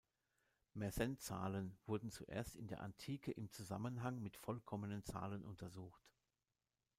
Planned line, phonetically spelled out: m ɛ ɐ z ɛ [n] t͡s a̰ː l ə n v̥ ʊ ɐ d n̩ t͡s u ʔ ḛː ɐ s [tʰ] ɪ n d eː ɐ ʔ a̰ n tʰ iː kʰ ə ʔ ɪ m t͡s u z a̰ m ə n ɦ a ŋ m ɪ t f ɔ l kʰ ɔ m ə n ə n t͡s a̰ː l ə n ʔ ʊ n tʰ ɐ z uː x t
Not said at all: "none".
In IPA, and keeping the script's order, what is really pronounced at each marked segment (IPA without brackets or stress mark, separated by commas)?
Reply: n, t